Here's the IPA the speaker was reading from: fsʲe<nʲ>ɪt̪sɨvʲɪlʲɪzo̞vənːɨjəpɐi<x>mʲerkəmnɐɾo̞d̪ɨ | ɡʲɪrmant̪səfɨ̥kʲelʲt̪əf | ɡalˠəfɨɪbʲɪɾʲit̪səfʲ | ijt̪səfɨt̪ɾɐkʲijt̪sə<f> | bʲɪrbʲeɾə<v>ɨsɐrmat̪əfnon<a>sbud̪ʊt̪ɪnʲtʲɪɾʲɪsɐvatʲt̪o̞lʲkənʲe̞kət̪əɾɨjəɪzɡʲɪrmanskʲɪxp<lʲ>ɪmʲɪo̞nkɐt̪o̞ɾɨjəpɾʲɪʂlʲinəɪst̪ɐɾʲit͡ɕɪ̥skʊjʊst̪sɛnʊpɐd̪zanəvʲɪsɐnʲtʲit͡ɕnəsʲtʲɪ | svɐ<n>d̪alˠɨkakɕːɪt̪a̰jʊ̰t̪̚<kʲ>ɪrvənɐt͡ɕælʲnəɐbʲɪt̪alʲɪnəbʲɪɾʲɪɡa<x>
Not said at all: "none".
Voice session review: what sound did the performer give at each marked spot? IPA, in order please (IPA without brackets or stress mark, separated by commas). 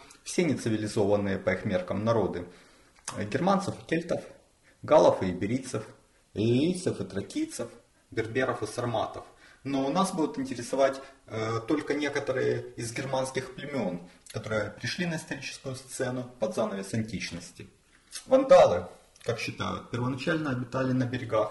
nʲ, x, f, f, a, lʲ, n, pʲ, x